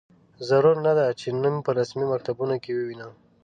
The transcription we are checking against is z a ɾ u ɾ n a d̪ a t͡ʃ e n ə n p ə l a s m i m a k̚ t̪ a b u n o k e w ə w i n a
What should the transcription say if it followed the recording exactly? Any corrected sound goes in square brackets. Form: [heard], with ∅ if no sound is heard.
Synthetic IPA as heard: z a ɾ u ɾ n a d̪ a t͡ʃ e n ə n p ə [ɾ] a s m i m a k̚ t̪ a b u n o k e w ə w i n a